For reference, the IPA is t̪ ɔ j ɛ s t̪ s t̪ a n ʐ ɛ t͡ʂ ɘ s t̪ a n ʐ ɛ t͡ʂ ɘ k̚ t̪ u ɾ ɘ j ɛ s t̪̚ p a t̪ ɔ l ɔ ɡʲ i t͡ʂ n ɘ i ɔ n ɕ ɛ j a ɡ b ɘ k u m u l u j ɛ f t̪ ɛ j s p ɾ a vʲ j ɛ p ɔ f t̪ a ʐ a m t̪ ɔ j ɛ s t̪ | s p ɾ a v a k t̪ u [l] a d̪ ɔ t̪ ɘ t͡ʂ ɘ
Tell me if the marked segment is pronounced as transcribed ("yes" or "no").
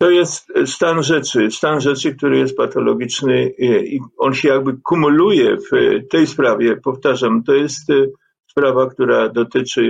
no